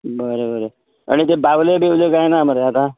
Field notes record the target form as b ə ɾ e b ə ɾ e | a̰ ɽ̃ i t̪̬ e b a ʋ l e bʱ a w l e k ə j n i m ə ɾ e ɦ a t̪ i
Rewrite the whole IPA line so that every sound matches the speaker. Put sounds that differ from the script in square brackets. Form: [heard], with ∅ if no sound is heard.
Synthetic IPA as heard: b ə ɾ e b ə ɾ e | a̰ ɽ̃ i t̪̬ e b a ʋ l e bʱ [e] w l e k [a] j n [a] m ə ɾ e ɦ a t̪ [a]

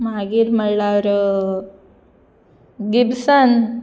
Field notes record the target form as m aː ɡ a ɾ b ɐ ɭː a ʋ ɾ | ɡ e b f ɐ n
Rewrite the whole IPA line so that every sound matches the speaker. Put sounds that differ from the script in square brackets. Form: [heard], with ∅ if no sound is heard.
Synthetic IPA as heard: m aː ɡ [i] ɾ [m] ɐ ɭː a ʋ ɾ | ɡ [i] b [s] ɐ n

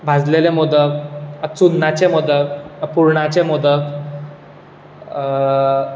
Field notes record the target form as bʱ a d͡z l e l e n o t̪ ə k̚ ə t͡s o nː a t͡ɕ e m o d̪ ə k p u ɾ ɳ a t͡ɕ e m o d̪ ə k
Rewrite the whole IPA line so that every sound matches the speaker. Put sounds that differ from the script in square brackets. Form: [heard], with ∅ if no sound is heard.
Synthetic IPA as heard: bʱ a d͡z l e l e [m] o [d̪] ə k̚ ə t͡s [u] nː a t͡ɕ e m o d̪ ə k p u ɾ ɳ a t͡ɕ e m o d̪ ə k

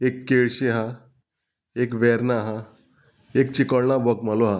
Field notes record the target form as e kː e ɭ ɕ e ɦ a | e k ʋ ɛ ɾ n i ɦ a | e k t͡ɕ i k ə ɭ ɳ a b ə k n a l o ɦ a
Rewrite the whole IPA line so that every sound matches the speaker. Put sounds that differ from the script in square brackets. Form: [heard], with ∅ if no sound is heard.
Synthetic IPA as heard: e kː e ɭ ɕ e ɦ a | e k ʋ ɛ ɾ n [a] ɦ a | e k t͡ɕ i k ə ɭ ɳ a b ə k [m] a l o ɦ a

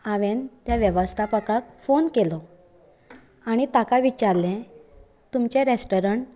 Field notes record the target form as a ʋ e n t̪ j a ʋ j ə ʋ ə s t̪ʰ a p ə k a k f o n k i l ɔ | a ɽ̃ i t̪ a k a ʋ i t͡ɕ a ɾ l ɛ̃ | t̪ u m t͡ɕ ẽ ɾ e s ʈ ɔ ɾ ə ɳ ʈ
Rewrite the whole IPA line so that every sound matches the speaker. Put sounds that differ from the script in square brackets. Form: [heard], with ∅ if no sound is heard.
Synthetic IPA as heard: a ʋ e n t̪ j a ʋ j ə ʋ ə s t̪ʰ a p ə k a k f o n k [e] l ɔ | a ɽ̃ i t̪ a k a ʋ i t͡ɕ a ɾ l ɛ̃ | t̪ u m t͡ɕ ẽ ɾ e s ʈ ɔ ɾ ə ɳ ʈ

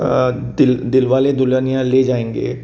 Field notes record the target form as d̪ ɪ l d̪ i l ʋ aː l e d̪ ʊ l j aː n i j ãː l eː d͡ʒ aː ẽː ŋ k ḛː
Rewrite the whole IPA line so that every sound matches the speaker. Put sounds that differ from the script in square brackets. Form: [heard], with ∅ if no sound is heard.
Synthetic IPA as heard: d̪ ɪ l d̪ [ɪ] l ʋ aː l e d̪ ʊ l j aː n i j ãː l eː d͡ʒ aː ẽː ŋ [ɡ] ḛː

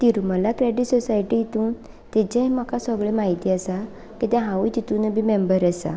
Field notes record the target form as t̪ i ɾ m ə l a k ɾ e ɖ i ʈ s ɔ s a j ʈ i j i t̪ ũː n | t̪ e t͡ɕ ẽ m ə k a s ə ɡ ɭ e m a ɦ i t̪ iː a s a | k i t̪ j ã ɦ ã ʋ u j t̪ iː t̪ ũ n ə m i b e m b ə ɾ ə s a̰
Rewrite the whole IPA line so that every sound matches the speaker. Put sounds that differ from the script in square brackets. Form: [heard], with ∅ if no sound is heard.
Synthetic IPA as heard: t̪ i ɾ m ə l a k ɾ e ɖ i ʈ s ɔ s a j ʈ i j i t̪ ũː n | t̪ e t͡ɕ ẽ m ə k a s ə ɡ ɭ e m a ɦ i t̪ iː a s a | k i t̪ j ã ɦ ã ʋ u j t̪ [i] t̪ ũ n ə [b] i [m] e m b ə ɾ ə s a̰

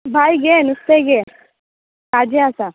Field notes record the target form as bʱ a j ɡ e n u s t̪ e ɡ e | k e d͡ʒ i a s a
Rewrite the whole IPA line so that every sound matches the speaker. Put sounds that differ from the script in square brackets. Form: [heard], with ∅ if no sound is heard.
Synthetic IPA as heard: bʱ a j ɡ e n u s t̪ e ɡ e | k [a] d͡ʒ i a s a

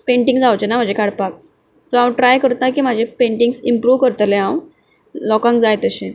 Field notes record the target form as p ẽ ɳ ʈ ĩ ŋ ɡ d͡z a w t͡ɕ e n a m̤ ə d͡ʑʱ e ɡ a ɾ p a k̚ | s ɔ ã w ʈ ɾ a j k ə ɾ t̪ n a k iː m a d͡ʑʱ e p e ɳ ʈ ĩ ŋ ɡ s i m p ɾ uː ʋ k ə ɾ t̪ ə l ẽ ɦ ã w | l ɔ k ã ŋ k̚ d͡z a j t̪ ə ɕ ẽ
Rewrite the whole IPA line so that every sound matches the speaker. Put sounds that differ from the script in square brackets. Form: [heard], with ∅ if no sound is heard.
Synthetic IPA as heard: p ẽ ɳ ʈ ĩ ŋ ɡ d͡z a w t͡ɕ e n a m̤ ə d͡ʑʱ e [k] a [ɽ] p a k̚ | s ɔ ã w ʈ ɾ a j k ə ɾ t̪ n a k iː m a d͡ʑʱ e p e ɳ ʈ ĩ ŋ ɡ s i m p ɾ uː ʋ k ə ɾ t̪ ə l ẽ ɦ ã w | l ɔ k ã ŋ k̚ d͡z a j t̪ ə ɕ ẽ

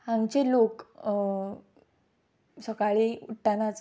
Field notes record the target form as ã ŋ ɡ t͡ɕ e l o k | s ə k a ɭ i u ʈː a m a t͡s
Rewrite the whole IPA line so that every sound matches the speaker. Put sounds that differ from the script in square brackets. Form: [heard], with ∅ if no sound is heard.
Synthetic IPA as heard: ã ŋ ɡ t͡ɕ e l o k | s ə k a ɭ i u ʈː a [n] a t͡s

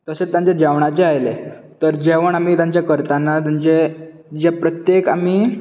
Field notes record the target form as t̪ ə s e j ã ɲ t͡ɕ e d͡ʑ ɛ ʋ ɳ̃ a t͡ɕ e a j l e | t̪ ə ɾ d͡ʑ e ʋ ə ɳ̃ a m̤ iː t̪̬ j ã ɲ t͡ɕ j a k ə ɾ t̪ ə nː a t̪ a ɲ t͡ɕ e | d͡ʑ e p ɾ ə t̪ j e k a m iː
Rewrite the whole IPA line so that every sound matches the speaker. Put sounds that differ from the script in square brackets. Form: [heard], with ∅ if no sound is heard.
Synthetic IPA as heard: t̪ ə s e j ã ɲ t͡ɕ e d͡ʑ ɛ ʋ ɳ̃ a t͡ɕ e a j l e | t̪ ə ɾ d͡ʑ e ʋ ə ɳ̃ a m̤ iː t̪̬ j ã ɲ t͡ɕ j a k ə ɾ t̪ [a] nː a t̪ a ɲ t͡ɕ e | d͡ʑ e p ɾ ə t̪ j e k a m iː

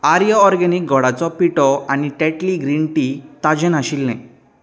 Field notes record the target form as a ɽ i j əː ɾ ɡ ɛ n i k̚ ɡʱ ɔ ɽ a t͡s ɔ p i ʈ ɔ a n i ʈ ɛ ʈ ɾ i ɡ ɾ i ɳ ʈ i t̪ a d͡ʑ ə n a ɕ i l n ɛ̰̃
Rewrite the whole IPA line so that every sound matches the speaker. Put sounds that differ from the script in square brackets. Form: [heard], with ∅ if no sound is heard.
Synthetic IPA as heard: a [ɾ] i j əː ɾ ɡ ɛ n i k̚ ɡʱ ɔ ɽ a t͡s ɔ p i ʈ ɔ a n i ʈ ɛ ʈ [l] i ɡ ɾ i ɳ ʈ i t̪ a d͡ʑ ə n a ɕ i l n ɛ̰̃

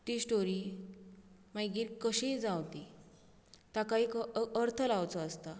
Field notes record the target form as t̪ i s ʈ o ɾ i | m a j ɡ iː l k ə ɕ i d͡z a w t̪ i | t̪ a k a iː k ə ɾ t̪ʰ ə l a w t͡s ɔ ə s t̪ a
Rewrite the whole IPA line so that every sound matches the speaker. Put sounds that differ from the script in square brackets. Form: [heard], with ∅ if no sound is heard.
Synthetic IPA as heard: t̪ i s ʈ o ɾ i | m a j ɡ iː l k ə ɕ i d͡z a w t̪ i | t̪ a k a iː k ə ɾ t̪ʰ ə l a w t͡s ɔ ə s t̪ a

